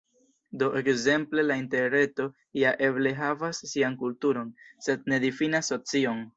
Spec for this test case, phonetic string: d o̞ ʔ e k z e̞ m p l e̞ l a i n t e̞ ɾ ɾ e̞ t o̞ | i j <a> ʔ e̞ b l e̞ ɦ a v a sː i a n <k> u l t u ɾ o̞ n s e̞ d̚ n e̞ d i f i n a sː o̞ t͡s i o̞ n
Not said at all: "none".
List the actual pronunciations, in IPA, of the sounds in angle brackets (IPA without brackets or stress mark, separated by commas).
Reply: a, k